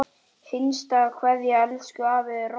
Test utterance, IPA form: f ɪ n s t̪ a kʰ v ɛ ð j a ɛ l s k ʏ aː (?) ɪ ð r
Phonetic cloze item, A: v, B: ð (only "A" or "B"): A